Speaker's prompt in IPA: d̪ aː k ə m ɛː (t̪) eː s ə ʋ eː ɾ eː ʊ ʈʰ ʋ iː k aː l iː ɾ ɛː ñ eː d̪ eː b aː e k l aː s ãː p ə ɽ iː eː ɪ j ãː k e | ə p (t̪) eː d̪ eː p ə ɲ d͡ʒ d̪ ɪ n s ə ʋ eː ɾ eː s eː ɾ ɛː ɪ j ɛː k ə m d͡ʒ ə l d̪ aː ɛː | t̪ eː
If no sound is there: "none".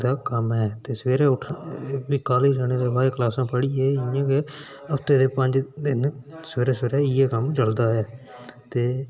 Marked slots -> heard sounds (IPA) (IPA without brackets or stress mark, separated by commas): t̪, t̪